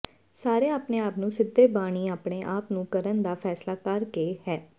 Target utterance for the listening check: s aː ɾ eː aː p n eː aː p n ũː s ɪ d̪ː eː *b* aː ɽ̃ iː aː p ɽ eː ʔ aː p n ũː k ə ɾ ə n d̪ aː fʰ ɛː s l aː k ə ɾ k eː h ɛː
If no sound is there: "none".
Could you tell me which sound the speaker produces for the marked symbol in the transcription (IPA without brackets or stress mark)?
b